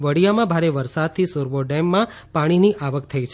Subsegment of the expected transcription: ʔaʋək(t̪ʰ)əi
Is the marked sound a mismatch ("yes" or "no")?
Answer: no